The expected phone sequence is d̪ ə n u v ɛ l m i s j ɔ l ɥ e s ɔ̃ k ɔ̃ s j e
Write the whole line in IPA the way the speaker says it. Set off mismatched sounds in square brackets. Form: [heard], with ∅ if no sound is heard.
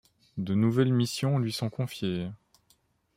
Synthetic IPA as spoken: d̪ ə n u v ɛ l m i s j [ɔ̃] l ɥ [i] s ɔ̃ k ɔ̃ [f] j e